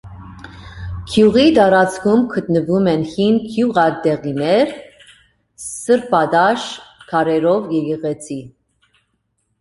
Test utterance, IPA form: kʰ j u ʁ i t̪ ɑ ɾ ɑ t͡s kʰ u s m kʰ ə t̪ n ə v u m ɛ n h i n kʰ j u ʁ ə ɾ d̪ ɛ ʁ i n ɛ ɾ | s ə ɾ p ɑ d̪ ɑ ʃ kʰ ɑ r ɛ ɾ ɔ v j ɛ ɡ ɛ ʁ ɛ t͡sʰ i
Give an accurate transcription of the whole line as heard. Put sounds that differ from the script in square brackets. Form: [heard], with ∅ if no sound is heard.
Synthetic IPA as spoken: kʰ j u ʁ i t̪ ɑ ɾ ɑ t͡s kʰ u [∅] m kʰ ə t̪ n ə v u m ɛ n h i n kʰ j u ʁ [ɑ] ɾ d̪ ɛ ʁ i n ɛ ɾ | s ə ɾ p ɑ d̪ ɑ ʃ kʰ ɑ [ɾ] ɛ ɾ ɔ v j ɛ ɡ ɛ ʁ ɛ t͡sʰ i